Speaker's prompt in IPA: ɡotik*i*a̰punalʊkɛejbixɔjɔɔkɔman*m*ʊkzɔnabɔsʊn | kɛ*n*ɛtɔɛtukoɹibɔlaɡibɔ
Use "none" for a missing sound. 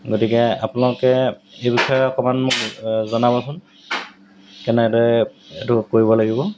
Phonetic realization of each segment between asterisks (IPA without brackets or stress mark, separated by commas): ɛ, m, n